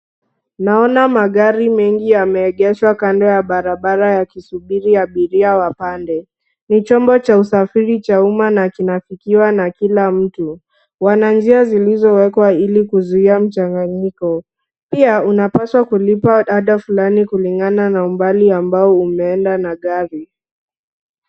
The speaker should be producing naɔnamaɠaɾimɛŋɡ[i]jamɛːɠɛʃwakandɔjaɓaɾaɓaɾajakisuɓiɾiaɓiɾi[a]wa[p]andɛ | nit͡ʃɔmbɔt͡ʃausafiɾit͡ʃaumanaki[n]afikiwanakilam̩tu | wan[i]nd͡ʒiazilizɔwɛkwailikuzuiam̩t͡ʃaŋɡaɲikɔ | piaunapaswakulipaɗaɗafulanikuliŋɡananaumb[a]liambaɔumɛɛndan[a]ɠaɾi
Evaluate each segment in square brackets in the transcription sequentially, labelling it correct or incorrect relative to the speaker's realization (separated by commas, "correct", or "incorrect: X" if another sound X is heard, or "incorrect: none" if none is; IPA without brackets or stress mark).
correct, correct, correct, correct, incorrect: a, correct, correct